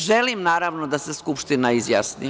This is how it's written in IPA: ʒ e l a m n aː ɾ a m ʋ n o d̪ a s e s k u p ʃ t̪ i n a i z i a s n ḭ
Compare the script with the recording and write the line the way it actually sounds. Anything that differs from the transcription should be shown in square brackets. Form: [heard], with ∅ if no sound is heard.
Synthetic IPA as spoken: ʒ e l [i] m n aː ɾ a [∅] ʋ n o d̪ a s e s k u p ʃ t̪ i n a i z [j] a s n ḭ